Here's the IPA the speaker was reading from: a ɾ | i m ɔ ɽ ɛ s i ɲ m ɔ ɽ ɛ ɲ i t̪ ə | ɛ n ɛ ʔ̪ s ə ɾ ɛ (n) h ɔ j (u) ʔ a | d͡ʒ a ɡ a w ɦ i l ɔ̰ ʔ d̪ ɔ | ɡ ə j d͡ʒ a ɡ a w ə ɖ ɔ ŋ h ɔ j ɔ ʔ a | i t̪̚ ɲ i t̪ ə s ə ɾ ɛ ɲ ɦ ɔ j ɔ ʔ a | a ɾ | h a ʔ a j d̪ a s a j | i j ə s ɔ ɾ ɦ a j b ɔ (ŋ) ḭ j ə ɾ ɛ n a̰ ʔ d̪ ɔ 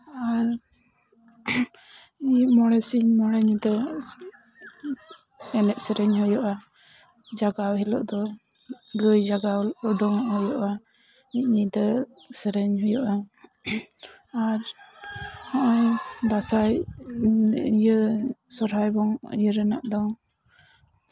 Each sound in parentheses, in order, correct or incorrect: incorrect, incorrect, correct

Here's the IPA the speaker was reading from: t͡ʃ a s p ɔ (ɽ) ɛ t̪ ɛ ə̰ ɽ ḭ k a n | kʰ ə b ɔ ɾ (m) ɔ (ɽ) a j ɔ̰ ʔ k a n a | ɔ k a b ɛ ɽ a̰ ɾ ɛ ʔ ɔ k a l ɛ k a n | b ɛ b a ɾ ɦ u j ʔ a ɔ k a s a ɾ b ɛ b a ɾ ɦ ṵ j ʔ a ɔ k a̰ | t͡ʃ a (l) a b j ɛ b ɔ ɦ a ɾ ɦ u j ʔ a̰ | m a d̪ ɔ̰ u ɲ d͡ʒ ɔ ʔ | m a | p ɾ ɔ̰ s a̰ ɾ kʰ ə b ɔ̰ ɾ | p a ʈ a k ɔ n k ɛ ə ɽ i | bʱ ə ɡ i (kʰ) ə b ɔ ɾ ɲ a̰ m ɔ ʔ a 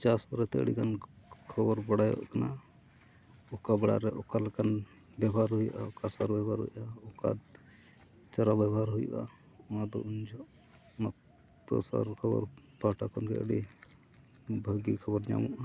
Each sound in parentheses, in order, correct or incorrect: incorrect, incorrect, correct, incorrect, correct

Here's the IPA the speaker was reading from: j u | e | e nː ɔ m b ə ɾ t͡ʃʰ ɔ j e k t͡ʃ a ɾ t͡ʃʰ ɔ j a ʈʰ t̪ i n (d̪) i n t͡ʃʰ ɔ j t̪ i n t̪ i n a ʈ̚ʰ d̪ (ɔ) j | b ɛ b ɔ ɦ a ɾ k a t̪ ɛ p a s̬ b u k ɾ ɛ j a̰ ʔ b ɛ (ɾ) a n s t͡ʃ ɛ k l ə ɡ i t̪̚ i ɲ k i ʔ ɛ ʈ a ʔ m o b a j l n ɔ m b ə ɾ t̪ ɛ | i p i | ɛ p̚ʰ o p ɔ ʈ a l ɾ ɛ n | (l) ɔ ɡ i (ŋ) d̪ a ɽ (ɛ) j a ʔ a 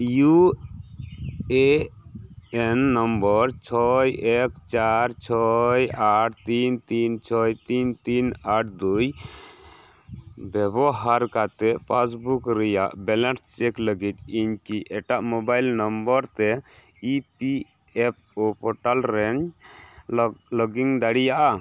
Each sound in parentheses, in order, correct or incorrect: incorrect, incorrect, incorrect, correct, correct, incorrect

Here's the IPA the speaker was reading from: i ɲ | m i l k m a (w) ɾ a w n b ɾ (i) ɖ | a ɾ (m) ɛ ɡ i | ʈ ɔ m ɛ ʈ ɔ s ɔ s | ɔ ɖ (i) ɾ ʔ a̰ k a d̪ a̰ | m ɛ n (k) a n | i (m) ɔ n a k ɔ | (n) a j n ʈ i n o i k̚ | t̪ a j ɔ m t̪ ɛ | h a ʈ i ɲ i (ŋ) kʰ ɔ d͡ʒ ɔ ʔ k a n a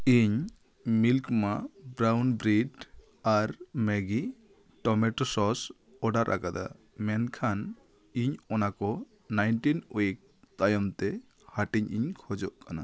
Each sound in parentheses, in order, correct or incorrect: incorrect, correct, correct, incorrect, incorrect, incorrect, correct, incorrect

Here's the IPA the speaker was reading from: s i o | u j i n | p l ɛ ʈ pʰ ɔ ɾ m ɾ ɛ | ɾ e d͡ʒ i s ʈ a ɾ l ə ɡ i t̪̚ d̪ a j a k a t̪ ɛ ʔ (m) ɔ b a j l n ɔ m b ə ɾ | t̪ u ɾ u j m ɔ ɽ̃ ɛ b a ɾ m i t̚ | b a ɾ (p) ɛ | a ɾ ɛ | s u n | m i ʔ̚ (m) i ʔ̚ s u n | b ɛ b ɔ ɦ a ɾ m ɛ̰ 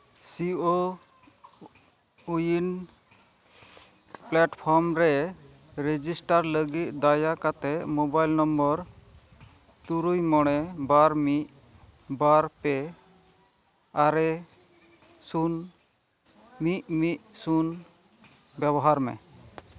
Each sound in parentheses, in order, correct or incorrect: correct, correct, correct

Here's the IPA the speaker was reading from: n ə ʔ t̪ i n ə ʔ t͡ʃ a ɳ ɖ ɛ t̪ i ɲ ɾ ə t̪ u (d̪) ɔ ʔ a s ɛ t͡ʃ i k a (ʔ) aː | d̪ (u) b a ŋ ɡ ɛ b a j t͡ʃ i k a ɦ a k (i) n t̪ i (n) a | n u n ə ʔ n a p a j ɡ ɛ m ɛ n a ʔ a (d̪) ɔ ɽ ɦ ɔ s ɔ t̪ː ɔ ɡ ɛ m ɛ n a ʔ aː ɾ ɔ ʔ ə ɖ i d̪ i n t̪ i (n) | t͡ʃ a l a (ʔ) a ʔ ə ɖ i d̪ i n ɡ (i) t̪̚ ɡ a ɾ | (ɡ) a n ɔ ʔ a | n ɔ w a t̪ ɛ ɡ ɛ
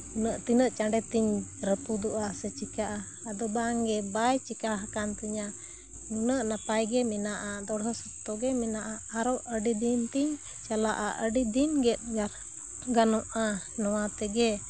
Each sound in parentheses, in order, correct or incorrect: correct, correct, incorrect, incorrect, incorrect, correct, incorrect, correct, incorrect, correct

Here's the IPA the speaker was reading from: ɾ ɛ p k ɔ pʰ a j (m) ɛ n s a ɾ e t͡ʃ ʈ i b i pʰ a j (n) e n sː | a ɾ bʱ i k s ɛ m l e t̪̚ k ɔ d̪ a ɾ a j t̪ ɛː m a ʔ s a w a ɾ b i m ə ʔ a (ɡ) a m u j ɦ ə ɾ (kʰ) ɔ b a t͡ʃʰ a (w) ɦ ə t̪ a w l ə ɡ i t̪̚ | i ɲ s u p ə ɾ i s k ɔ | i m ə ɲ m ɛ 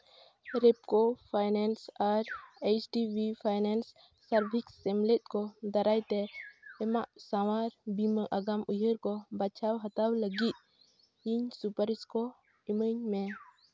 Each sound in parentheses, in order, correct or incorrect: incorrect, correct, correct, incorrect, correct

